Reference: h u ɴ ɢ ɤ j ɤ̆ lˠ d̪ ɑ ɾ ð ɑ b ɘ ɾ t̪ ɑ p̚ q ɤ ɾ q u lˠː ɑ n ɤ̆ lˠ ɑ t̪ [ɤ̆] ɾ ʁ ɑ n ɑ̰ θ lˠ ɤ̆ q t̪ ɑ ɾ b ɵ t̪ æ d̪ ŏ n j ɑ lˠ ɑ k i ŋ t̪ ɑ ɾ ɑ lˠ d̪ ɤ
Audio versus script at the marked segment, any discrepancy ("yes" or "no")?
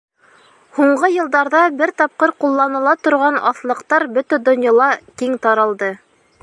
yes